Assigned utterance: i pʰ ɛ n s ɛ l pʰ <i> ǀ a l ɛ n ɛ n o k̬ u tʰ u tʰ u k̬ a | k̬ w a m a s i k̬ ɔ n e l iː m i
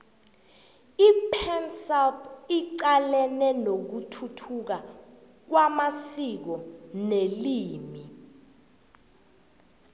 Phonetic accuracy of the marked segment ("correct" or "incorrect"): correct